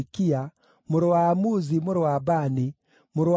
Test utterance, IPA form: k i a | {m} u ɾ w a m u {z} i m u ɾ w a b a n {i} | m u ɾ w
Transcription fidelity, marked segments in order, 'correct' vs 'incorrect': correct, correct, correct

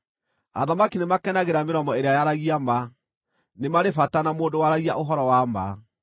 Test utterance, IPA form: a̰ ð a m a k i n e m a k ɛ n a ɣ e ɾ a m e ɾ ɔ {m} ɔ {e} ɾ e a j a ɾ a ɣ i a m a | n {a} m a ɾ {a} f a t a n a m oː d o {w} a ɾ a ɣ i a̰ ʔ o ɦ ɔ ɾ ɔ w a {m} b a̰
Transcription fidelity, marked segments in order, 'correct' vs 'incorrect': correct, correct, incorrect, incorrect, correct, correct

